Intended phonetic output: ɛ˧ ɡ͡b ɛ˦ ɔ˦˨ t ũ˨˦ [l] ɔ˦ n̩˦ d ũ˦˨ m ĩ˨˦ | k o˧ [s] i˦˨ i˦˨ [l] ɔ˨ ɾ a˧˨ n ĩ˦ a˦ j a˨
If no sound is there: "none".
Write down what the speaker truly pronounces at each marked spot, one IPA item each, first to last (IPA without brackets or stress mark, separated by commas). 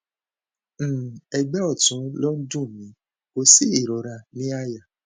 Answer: l, s, ɾ